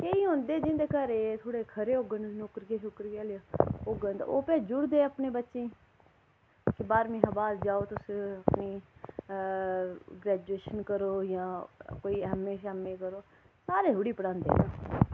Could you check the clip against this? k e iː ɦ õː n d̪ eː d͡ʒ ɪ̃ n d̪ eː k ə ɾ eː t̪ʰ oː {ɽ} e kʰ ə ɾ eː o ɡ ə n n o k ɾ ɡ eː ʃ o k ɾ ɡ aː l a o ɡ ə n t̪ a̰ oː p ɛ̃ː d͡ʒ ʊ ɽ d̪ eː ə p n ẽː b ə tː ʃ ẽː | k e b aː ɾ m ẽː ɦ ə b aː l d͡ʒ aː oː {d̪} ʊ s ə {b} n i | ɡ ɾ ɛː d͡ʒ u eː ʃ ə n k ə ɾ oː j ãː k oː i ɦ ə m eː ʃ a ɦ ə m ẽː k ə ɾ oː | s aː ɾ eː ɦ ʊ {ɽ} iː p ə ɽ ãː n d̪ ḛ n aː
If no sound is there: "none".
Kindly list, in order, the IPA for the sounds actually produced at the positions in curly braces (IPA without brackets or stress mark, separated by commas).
ɽ, t̪, p, ɽ